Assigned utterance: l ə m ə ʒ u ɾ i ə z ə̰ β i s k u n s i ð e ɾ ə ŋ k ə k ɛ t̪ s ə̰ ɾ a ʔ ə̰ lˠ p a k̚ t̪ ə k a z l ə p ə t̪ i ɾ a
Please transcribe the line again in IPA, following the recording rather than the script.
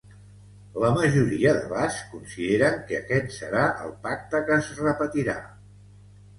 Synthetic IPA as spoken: l ə m ə ʒ u ɾ i ə ð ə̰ β a s k u n s i ð e ɾ ə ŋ k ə k ɛ t̪ s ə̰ ɾ a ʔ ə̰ lˠ p a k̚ t̪ ə k ə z r ə p ə t̪ i ɾ a